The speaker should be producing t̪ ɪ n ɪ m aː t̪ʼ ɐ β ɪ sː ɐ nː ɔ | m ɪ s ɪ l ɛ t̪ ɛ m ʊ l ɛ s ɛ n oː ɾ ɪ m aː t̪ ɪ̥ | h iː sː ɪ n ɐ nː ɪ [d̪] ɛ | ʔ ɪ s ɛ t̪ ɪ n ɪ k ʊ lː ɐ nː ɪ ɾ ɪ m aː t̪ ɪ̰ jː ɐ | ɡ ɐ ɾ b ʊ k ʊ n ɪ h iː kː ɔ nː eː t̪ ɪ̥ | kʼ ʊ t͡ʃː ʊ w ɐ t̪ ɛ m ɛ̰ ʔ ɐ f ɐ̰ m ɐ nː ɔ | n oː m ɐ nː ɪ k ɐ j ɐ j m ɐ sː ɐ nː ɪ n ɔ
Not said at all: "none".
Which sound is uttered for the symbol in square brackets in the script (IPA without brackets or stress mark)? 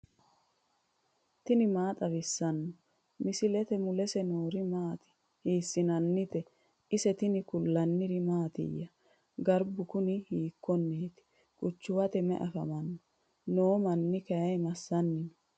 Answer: t̪